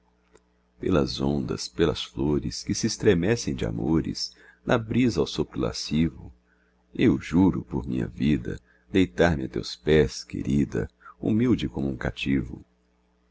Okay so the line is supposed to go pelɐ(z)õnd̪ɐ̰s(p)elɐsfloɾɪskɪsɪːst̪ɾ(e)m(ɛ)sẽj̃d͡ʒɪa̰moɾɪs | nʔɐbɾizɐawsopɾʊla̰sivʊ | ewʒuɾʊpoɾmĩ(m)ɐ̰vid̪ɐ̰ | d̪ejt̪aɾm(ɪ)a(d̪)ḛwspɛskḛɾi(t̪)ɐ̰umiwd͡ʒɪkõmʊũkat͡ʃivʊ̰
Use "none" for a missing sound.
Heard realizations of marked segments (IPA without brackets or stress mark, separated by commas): z, p, e, ɛ, ɲ, ɪ, t̪, d̪